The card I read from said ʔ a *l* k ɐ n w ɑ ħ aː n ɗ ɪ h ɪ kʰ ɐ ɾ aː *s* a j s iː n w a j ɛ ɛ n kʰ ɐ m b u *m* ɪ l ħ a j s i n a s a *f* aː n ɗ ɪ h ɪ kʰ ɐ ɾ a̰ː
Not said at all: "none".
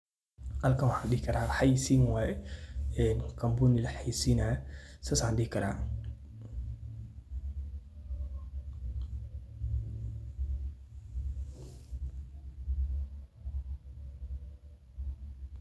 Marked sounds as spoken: l, ħ, n, s

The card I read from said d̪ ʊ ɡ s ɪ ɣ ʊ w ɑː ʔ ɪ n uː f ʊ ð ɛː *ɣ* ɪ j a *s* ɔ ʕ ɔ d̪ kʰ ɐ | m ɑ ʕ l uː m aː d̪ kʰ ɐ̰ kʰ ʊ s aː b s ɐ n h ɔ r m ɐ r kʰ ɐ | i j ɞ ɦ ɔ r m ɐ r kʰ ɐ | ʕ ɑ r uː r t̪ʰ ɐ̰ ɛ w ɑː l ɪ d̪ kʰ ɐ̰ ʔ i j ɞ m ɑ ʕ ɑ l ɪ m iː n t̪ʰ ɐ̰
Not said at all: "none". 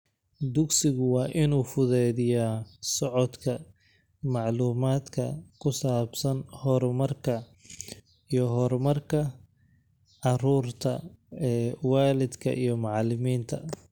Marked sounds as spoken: ð, s

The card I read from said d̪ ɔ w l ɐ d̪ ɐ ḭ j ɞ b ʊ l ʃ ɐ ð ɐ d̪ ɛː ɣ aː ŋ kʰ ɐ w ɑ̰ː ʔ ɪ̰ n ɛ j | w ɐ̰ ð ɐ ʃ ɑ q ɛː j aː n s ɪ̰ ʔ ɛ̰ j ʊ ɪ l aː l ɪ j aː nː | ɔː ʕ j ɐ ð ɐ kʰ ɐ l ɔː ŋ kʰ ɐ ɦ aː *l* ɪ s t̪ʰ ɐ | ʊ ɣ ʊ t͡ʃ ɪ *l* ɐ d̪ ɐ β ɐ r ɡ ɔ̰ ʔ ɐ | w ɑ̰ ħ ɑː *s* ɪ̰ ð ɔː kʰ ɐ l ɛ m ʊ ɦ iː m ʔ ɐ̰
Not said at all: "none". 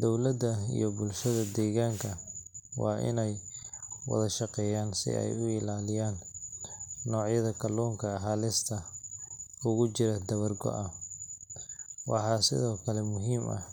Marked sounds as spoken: l, ɾ, s

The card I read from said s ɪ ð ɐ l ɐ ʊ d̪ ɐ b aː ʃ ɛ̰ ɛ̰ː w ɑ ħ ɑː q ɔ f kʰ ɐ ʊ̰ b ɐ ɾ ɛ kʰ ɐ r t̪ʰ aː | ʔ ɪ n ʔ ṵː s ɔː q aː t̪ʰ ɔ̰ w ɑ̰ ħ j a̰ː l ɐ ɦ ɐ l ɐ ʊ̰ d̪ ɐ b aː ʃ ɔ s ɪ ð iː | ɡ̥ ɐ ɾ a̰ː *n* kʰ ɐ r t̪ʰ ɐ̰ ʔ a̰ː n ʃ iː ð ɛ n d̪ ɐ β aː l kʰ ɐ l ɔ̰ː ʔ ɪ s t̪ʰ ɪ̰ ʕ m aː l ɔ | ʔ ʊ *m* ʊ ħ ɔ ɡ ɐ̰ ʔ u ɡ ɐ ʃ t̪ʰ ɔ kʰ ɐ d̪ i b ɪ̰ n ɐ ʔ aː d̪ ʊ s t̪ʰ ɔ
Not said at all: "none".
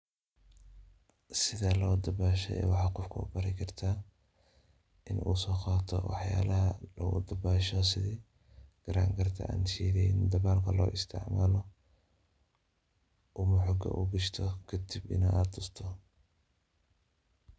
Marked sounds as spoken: ŋ, m

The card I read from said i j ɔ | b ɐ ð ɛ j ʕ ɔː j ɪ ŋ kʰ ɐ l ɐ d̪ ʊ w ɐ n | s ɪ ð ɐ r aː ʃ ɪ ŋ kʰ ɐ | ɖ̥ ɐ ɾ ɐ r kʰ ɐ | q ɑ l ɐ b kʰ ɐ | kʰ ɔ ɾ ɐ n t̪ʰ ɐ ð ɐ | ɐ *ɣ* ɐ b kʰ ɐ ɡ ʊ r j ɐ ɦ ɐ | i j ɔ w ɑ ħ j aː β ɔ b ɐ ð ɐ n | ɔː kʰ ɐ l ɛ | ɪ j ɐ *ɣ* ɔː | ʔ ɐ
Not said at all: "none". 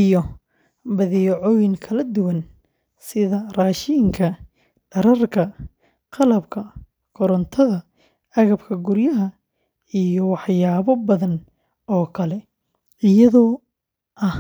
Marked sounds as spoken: ɣ, ð

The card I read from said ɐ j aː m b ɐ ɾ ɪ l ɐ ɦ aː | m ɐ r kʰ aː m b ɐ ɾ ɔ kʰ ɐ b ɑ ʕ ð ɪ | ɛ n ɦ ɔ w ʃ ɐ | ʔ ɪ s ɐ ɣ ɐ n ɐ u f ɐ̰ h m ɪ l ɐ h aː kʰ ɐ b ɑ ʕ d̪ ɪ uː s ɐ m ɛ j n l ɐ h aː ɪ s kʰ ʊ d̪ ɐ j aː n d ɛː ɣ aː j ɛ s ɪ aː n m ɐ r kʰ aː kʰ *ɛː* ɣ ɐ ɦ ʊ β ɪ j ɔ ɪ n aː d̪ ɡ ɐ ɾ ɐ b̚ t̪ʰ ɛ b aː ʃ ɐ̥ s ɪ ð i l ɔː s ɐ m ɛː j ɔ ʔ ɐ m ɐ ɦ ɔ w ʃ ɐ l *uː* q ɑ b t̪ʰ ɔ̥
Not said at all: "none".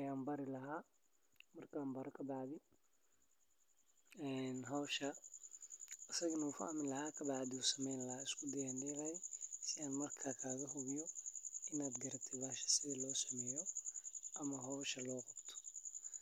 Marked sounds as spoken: aː, ɔː

